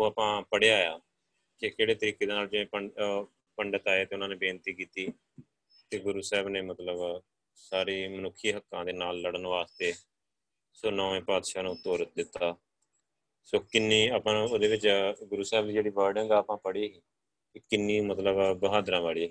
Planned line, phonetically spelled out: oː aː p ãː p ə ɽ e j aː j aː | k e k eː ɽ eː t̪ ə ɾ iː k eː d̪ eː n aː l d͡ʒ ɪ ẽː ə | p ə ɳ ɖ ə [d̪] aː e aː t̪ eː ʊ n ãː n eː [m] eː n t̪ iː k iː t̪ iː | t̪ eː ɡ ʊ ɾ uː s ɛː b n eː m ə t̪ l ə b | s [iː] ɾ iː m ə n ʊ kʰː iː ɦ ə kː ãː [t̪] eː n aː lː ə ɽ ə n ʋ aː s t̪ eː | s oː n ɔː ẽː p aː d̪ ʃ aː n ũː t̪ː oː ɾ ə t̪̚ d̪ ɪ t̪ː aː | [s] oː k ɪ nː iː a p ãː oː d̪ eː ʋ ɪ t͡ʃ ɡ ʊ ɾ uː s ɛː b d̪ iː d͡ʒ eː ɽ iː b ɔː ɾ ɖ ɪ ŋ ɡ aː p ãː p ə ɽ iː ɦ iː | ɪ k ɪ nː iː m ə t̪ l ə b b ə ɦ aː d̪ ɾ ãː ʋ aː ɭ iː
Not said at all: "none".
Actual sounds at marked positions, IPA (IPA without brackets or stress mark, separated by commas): t̪, b, aː, d̪, s